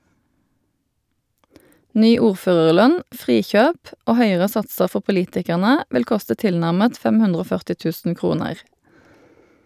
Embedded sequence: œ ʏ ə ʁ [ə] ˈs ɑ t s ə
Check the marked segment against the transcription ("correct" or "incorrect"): correct